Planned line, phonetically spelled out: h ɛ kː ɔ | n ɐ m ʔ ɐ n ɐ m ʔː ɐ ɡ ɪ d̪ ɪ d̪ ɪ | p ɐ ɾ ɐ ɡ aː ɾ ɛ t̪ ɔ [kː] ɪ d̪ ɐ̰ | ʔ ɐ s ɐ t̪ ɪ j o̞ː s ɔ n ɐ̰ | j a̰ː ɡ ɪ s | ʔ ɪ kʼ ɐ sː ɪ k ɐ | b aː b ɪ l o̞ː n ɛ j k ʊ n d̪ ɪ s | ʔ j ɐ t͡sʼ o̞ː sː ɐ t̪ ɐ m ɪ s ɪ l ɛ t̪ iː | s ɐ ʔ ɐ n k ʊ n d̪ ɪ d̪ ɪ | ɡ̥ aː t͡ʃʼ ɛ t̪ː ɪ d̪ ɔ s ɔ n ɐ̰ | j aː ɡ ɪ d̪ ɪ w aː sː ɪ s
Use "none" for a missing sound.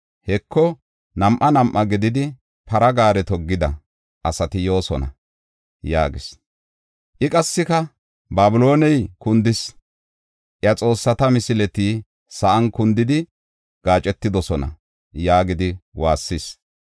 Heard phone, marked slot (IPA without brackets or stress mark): ɡː